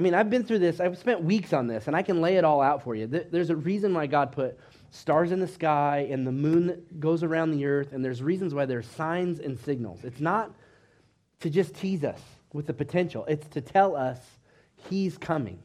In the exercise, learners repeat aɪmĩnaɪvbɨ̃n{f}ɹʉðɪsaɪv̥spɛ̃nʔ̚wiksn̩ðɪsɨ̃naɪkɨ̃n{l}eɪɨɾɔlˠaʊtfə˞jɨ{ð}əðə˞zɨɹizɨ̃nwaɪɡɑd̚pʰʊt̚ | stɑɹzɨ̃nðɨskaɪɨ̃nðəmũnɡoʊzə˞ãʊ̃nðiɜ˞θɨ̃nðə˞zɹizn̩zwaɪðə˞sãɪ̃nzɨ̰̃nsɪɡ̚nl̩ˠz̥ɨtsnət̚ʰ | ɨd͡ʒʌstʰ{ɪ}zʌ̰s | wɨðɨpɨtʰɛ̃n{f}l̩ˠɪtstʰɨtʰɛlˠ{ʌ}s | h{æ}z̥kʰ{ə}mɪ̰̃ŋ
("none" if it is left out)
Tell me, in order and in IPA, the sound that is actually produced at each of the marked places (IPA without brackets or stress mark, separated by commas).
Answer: θ, l, ð, i, ʃ, ʌ, i, ʌ